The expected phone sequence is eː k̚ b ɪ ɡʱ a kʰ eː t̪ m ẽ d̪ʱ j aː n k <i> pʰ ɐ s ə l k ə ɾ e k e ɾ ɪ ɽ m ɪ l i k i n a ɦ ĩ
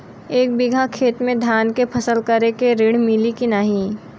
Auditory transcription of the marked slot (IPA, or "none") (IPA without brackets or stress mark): e